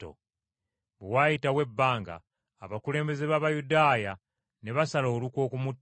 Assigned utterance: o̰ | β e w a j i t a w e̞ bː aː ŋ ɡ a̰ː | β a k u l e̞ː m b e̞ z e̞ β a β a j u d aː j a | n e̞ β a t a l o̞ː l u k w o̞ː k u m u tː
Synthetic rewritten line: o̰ | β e w a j i t a w e̞ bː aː ŋ ɡ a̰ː | β a k u l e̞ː m b e̞ z e̞ β a β a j u d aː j a | n e̞ β a s a l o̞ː l u k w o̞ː k u m u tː